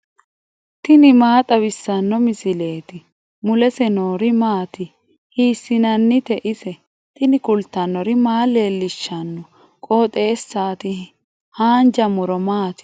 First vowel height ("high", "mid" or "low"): high